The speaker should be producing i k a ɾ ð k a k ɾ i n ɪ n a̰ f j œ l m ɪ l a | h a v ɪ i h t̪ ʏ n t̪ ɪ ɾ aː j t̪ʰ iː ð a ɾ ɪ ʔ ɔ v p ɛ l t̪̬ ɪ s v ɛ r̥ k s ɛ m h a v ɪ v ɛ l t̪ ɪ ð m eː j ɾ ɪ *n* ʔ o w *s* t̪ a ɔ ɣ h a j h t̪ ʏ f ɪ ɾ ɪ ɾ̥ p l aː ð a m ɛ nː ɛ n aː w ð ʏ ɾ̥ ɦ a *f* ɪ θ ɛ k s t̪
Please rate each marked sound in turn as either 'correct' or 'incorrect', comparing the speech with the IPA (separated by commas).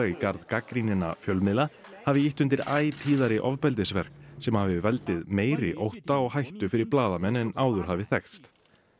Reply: incorrect, incorrect, incorrect